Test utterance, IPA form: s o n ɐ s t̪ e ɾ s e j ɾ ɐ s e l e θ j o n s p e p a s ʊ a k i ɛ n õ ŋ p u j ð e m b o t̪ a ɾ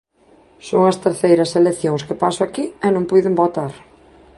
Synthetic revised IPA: s o ŋ ɐ s t̪ e ɾ θ e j ɾ ɐ s e l e θ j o ŋ s k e p a s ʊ a k i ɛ n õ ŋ p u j ð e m b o t̪ a ɾ

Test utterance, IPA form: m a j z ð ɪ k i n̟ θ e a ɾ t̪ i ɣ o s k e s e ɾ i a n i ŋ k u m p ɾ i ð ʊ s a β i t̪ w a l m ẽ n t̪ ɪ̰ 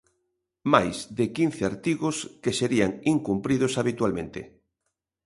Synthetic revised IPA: m a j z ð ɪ k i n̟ θ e a ɾ t̪ i ɣ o s k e s e ɾ i a ŋ i ŋ k u m p ɾ i ð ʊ s a β i t̪ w a l m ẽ n t̪ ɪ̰

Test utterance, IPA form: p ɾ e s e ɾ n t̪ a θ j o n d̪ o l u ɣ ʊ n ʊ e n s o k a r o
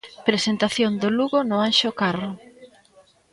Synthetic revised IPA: p ɾ e s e n t̪ a θ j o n d̪ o l u ɣ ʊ n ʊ a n ʃ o k a r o

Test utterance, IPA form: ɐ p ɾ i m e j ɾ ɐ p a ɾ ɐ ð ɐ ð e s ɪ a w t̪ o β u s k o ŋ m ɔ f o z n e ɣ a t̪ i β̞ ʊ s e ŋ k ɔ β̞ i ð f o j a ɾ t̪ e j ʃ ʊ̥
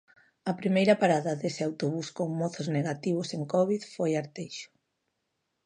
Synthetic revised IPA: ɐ p ɾ i m e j ɾ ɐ p a ɾ a ð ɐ ð e s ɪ a w t̪ o β u s k o ŋ m ɔ θ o z n e ɣ a t̪ i β̞ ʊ s e ŋ k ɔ β̞ i ð f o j a ɾ t̪ e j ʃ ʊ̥

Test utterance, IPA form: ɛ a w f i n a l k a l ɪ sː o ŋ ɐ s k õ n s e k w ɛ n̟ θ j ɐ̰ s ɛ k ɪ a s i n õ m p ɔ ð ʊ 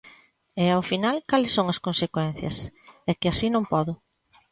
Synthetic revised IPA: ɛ a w f i n a l k a l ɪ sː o ŋ ɐ s k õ n s e k w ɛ n̟ θ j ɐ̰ s ɛ k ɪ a s i n õ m p ɔ ð ʊ

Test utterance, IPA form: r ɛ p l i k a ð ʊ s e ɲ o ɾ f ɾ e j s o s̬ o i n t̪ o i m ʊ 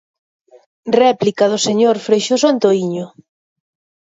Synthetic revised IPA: r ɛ p l i k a ð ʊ s e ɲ o ɾ f ɾ e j ʃ o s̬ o a n t̪ o i ɲ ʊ

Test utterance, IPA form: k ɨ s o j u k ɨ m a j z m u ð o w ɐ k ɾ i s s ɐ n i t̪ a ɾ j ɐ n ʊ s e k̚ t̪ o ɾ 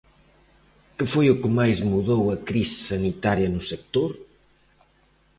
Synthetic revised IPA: k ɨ f o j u k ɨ m a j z m u ð o w ɐ k ɾ i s s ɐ n i t̪ a ɾ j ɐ n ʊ s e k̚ t̪ o ɾ

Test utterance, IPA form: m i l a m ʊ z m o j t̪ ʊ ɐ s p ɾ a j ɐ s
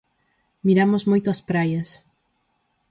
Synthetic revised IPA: m i ɾ a m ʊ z m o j t̪ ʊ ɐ s p ɾ a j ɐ s

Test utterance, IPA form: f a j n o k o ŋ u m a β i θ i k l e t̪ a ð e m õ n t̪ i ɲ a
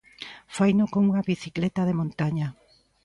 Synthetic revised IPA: f a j n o k o ŋ u ŋ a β i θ i k l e t̪ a ð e m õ n t̪ a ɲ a

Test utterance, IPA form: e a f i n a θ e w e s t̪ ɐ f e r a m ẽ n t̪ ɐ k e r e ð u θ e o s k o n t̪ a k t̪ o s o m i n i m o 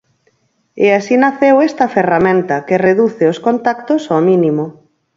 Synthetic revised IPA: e a s i n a θ e w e s t̪ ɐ f e r a m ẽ n t̪ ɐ k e r e ð u θ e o s k o n t̪ a k t̪ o s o m i n i m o

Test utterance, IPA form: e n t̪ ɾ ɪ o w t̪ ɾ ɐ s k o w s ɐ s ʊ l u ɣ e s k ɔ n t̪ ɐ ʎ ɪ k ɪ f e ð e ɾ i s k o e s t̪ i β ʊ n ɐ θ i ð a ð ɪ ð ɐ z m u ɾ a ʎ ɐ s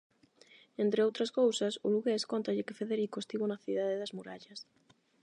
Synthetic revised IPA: e n t̪ ɾ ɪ o w t̪ ɾ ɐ s k o w s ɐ s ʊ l u ɣ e s k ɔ n t̪ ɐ ʎ ɪ k ɪ f e ð e ɾ i k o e s t̪ i β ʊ n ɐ θ i ð a ð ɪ ð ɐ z m u ɾ a ʎ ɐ s

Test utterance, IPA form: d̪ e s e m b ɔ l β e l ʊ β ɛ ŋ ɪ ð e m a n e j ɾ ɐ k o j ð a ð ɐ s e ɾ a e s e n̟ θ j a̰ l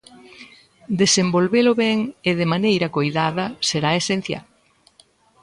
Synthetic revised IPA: d̪ e s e m b o l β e l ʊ β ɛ ŋ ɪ ð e m a n e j ɾ ɐ k o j ð a ð ɐ s e ɾ a e s e n̟ θ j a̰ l

